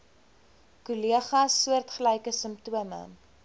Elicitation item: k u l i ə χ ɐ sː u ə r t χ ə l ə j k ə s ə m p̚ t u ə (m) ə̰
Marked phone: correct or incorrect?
correct